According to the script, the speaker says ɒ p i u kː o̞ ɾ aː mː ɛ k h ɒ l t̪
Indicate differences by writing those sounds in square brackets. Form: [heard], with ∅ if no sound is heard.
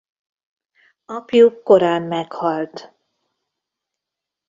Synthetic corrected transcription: ɒ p [j] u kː o̞ ɾ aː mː ɛ k h ɒ l t̪